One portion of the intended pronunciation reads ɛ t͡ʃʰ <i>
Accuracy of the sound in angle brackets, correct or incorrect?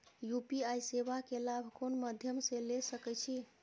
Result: correct